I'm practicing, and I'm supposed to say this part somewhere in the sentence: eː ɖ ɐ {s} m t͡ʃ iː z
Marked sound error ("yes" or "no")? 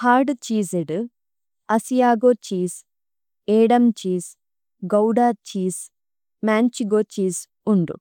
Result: yes